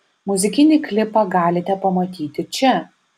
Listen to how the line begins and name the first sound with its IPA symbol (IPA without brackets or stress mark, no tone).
m